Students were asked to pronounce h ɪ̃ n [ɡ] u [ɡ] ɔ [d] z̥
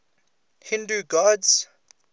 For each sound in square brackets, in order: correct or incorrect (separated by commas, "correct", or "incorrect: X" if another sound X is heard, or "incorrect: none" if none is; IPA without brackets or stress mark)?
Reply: incorrect: d, correct, correct